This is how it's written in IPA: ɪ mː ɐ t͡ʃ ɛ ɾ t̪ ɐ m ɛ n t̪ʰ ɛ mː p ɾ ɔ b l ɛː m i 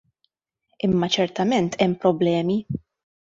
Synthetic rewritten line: ɪ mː ɐ t͡ʃ ɛ ɾ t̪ ɐ m ɛ n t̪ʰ ɛ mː p ɾ ɔ b l ɛː m i